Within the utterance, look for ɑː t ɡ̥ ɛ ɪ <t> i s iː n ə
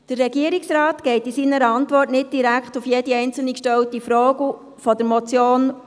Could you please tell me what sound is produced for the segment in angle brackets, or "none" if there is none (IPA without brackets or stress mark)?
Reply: t